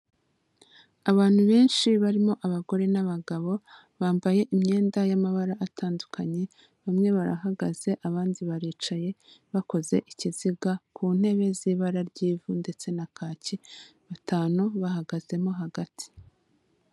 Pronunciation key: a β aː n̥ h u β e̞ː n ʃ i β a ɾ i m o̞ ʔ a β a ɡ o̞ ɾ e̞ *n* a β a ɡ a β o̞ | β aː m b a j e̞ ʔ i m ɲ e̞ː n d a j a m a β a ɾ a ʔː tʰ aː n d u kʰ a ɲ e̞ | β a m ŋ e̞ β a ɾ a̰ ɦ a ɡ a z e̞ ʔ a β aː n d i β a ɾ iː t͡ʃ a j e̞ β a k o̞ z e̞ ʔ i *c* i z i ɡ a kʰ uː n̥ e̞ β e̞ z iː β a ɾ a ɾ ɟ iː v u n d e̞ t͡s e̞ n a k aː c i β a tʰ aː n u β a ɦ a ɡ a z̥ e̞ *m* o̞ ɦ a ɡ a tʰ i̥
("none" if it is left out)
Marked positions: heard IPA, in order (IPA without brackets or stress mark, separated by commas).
n, c, m